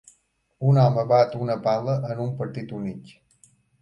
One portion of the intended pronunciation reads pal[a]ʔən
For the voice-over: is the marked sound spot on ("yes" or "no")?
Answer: no